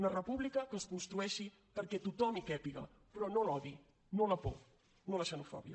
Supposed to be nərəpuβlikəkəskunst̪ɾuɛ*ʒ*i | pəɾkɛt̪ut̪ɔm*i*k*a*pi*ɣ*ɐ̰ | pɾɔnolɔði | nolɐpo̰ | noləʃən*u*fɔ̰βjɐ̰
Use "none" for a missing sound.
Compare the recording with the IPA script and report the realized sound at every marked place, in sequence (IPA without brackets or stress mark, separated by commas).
ʃ, i, ɛ, ɣ, u